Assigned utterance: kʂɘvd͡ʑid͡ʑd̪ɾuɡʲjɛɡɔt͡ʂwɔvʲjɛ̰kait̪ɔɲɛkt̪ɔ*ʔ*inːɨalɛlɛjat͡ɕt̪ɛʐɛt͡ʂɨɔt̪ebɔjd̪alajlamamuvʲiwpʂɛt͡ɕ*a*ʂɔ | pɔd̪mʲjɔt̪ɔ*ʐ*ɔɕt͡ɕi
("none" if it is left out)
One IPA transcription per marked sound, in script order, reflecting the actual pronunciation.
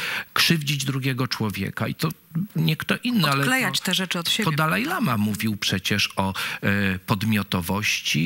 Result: ʔ, ɛ, v

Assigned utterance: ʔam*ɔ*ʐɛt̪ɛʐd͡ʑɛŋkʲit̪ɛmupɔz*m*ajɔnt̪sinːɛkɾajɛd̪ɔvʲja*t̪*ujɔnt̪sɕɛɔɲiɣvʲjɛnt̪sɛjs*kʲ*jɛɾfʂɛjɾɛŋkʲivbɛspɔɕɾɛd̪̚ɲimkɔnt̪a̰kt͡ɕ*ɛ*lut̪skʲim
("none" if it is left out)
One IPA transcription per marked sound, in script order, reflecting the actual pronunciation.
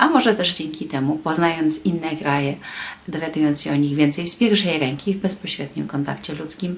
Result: ɔ, n, d̪, pʲ, ɛ

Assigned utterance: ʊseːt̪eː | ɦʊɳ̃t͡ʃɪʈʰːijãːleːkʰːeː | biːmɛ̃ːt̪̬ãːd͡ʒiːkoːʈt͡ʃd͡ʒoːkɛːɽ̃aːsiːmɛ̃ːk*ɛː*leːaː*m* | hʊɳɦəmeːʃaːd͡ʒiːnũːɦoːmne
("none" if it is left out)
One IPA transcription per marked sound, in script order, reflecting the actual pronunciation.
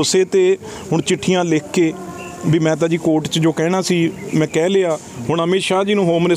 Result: ɛː, none

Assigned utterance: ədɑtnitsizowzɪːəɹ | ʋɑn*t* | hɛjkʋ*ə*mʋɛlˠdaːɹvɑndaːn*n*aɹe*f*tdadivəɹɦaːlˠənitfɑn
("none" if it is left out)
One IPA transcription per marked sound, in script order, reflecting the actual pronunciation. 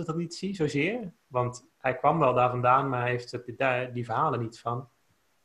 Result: t, ɑ, m, f

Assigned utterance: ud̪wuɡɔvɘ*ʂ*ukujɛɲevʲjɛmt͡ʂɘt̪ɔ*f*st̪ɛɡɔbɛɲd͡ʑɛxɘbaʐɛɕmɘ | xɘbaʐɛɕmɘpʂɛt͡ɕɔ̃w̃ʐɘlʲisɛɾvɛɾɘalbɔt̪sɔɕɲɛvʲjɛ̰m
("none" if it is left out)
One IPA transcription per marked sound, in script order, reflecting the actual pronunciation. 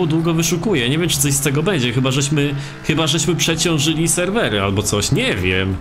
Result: ʂ, ɕ

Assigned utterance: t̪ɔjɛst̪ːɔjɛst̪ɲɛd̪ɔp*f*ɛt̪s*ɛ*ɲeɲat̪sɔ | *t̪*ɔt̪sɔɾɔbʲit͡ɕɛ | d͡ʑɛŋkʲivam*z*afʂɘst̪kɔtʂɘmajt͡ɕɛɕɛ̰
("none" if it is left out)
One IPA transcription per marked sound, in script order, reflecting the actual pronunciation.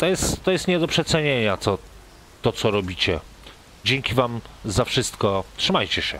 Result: ʂ, ɛ, t̪, z

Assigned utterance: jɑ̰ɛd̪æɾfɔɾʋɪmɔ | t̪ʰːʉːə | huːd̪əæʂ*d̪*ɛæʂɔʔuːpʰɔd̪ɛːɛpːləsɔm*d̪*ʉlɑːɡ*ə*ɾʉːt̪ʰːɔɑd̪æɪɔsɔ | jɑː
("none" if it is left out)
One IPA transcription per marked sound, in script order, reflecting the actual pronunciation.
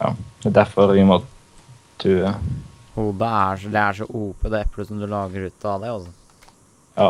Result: d̪, d̪, ə

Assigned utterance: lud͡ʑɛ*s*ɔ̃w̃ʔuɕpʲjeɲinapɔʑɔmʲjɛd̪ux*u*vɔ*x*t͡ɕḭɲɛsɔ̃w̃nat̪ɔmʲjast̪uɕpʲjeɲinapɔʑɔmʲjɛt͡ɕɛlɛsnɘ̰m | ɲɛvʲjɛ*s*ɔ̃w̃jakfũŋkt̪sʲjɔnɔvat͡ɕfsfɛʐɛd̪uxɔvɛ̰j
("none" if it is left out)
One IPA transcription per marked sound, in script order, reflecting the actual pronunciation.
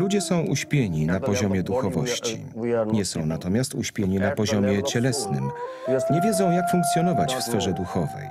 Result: s, ɔ, ɕ, z

